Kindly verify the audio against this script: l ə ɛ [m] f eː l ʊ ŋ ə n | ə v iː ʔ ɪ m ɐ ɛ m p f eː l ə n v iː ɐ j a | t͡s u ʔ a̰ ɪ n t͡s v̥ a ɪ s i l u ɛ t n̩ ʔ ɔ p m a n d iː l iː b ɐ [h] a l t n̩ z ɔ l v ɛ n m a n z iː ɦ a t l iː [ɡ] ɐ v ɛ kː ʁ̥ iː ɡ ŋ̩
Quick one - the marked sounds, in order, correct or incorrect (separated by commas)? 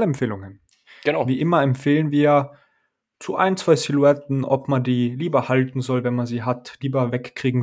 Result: correct, correct, incorrect